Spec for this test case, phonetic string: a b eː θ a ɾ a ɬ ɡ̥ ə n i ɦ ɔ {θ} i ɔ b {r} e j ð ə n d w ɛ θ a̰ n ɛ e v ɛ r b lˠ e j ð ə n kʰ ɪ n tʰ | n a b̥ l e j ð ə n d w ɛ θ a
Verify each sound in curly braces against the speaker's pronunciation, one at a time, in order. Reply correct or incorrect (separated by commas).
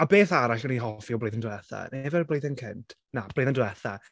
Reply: incorrect, incorrect